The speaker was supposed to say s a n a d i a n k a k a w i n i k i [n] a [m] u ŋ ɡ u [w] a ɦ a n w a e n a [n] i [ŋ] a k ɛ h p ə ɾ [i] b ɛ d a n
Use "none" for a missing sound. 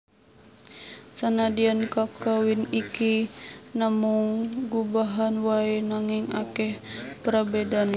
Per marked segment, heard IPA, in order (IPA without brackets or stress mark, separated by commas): n, m, b, ŋ, ŋ, a